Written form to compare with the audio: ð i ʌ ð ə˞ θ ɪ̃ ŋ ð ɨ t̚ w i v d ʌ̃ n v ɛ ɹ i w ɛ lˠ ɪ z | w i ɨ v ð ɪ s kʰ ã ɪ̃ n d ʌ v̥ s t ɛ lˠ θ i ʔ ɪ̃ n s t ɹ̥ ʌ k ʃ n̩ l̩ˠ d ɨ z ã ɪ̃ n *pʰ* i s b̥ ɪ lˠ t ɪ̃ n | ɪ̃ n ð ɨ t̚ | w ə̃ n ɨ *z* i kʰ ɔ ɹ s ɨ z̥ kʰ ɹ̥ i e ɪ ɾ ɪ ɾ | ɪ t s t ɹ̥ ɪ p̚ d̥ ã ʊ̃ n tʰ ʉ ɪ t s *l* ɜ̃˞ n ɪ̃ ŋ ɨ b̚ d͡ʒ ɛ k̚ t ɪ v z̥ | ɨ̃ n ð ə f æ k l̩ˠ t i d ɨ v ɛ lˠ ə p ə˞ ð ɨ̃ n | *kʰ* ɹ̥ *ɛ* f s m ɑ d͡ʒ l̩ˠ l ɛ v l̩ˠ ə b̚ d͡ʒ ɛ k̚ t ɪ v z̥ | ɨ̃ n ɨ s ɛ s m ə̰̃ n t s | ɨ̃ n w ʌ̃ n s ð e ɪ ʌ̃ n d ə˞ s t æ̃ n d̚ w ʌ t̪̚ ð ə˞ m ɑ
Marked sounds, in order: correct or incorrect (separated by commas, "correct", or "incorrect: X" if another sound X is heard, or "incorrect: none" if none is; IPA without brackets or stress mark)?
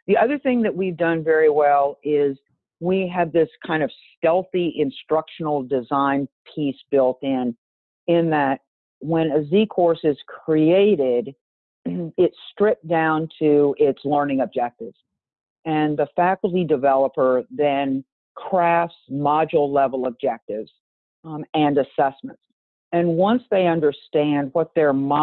correct, correct, correct, correct, incorrect: æ